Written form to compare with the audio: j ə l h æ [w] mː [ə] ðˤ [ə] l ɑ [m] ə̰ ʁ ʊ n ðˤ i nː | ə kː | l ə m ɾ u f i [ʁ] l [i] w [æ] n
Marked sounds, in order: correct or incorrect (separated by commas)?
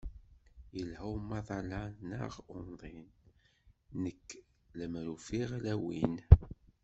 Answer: correct, incorrect, incorrect, incorrect, correct, incorrect, incorrect